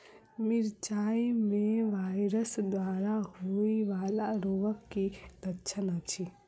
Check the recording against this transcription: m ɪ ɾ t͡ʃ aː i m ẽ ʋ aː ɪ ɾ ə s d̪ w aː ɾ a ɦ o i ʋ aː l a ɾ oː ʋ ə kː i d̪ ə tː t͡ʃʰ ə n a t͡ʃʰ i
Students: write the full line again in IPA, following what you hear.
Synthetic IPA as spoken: m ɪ ɾ t͡ʃ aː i m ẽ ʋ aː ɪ ɾ ə s d̪ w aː ɾ a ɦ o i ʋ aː l a ɾ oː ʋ ə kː i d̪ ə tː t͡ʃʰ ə n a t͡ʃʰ i